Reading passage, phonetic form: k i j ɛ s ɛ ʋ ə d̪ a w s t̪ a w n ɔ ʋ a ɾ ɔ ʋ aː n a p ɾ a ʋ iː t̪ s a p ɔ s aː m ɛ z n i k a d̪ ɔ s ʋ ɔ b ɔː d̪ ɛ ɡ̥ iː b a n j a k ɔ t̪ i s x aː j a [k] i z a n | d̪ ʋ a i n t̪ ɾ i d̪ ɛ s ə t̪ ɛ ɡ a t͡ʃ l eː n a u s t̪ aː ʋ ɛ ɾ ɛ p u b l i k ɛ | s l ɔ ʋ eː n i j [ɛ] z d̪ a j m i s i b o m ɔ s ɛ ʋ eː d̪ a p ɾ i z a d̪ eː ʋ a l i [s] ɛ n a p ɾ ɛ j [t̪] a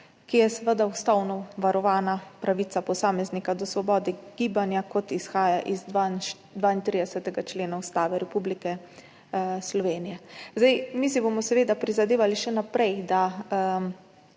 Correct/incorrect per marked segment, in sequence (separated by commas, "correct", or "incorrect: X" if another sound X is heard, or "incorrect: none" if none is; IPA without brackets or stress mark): incorrect: ʔ, correct, incorrect: ʃ, incorrect: d̪